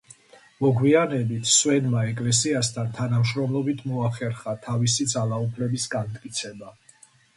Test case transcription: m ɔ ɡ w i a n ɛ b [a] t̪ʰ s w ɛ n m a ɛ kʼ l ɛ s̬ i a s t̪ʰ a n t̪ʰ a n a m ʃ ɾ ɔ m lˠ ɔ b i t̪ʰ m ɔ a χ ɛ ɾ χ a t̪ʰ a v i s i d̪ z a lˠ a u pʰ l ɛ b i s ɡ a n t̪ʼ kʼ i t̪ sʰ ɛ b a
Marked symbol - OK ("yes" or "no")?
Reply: no